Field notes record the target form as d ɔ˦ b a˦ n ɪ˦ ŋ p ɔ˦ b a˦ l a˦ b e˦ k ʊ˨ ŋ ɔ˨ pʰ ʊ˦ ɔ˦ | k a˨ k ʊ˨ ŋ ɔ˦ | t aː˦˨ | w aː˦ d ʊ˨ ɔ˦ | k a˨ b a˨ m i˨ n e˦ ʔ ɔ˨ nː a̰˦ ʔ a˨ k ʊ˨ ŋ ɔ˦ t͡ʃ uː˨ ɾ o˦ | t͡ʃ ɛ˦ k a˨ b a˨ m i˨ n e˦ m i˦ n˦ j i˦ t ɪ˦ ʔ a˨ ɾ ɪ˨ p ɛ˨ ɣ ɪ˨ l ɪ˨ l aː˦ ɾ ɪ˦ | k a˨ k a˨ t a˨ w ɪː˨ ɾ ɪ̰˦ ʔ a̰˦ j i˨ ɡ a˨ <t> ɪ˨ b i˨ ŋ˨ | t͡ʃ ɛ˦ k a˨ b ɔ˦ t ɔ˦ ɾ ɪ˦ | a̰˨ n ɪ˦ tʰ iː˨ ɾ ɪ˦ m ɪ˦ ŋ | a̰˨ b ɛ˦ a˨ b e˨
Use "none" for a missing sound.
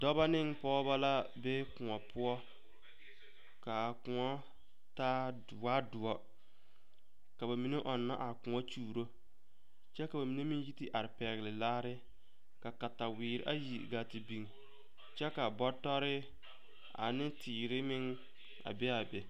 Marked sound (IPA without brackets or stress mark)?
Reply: t